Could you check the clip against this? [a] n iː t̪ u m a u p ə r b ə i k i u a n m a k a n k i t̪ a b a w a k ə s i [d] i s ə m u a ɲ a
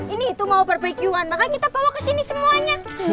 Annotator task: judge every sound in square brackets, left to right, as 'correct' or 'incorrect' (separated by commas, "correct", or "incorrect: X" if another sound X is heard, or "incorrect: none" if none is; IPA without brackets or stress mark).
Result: incorrect: i, incorrect: n